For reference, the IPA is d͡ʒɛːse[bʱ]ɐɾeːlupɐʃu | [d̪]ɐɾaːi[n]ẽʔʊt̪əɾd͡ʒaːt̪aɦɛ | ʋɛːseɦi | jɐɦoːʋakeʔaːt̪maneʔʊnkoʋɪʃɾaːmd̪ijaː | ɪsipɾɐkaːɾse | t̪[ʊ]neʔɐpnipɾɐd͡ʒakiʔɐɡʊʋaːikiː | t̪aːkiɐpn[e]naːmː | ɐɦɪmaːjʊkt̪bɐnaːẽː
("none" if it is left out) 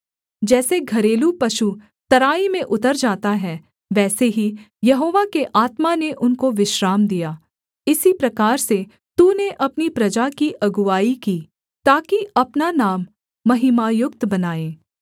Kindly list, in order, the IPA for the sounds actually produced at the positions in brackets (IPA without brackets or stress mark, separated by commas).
ɡʱ, t̪, m, u, a